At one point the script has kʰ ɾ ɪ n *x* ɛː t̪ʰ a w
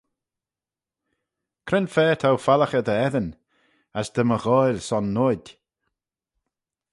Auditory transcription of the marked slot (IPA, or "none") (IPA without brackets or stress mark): f